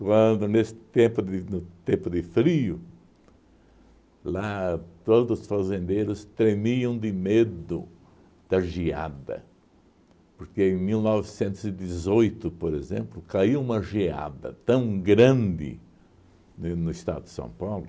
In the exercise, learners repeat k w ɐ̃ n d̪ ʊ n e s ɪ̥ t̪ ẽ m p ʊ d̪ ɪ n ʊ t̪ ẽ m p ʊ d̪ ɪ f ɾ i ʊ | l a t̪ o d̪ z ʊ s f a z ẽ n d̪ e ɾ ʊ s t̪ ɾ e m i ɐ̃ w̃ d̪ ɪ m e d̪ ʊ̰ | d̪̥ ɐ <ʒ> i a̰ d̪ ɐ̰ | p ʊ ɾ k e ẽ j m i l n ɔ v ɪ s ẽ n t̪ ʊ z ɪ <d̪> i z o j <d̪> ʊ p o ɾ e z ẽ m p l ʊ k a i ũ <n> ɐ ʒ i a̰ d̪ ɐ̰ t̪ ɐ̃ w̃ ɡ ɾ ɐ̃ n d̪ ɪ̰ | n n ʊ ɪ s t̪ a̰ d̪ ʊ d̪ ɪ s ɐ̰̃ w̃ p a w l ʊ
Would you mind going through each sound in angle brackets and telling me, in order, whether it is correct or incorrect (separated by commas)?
correct, correct, incorrect, incorrect